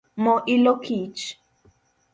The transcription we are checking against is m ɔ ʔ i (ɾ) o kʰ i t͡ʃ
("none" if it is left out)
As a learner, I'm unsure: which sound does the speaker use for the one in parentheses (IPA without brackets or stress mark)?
l